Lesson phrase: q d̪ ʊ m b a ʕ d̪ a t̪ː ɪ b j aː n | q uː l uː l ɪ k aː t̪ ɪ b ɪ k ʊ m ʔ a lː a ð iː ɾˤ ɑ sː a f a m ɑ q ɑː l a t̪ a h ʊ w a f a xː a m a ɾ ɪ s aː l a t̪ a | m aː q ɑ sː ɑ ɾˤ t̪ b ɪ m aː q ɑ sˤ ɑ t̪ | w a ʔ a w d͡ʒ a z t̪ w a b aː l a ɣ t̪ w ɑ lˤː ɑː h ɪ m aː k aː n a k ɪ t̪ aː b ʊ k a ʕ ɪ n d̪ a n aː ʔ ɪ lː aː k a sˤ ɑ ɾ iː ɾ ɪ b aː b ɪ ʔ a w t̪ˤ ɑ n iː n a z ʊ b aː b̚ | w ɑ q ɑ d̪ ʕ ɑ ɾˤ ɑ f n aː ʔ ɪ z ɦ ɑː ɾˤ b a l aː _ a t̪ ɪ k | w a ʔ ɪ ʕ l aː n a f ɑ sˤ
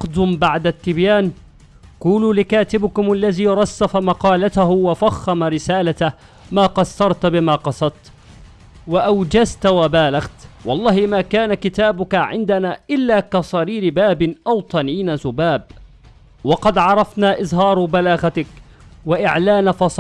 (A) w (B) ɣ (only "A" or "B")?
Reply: B